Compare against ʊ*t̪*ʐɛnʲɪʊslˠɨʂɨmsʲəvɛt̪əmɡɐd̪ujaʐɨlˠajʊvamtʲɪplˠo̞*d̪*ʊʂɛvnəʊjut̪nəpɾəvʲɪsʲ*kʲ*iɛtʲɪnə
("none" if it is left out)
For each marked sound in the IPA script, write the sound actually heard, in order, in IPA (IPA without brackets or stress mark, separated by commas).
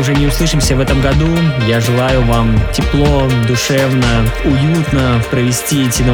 none, d̪, tʲ